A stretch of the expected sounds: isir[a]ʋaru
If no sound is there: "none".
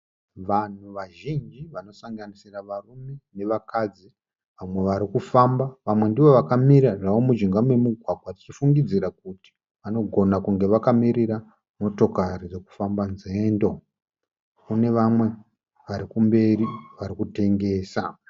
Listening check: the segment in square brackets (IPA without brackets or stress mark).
a